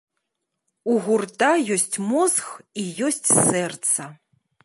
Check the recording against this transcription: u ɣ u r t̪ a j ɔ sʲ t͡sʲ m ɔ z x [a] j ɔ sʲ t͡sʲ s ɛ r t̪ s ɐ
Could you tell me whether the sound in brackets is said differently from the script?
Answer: yes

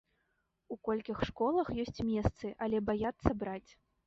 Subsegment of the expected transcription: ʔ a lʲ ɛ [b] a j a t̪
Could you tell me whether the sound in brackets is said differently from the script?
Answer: no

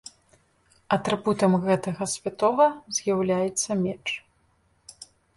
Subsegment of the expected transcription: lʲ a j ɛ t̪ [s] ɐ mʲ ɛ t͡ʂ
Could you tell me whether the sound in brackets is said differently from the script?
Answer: yes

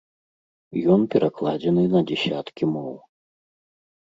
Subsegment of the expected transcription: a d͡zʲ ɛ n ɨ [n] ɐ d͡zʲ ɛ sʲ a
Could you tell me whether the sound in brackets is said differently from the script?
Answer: no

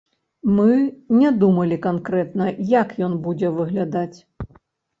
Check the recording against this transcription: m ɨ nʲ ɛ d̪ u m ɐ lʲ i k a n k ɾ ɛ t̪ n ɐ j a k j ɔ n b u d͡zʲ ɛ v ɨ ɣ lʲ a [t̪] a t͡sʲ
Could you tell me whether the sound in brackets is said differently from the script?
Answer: yes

